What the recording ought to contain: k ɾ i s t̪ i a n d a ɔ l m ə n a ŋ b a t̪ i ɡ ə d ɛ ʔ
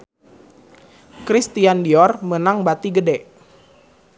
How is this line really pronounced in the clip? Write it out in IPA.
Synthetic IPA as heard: k ɾ i s t̪ i a n d i ɔ r m ə n a ŋ b a t̪ i ɡ ə d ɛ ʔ